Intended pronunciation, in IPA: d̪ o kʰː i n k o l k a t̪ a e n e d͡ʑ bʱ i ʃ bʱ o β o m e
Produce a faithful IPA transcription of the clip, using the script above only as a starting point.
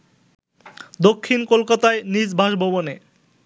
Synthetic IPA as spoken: d̪ o kʰː i n k o l k a t̪ a e n i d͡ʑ bʱ a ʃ bʱ o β o n e

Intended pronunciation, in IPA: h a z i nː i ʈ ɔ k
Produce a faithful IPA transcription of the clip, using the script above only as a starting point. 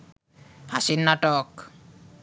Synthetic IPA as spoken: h a s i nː a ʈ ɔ k

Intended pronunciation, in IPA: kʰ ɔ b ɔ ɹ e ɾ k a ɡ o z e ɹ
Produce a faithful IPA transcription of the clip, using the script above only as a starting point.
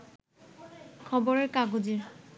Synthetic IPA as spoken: kʰ ɔ b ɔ ɹ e ɹ k a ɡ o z i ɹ

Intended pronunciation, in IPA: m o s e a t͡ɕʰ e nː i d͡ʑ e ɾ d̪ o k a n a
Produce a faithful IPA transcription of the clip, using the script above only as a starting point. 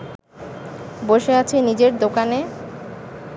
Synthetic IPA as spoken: b o ʃ e a t͡ɕʰ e n i d͡ʑ e ɾ d̪ o k a n e

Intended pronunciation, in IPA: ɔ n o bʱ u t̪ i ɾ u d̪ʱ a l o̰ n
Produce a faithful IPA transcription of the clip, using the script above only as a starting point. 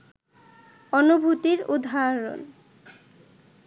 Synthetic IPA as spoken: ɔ n u bʱ u t̪ i ɾ u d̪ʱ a ɾ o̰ n

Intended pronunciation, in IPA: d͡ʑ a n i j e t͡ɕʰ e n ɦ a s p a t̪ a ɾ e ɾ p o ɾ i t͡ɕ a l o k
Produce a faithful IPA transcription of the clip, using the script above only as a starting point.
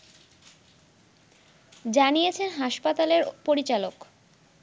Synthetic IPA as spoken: d͡ʑ a n i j e t͡ɕʰ e n ɦ a ʃ p a t̪ a l e ɾ p o ɾ i t͡ɕ a l o k

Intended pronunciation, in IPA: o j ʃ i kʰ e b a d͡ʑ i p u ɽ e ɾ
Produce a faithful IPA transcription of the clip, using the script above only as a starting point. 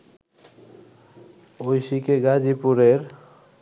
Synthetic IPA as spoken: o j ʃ i k e ɡ a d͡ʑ i p u ɾ e ɾ

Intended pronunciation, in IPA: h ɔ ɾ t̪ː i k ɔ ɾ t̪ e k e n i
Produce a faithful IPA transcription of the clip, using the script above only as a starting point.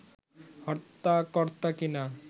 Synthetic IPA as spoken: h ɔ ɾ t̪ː a k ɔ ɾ t̪ a k i n a

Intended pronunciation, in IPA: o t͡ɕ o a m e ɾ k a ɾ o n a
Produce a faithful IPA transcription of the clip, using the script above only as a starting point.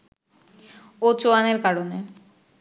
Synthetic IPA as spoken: o t͡ɕ o a n e ɾ k a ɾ o n e

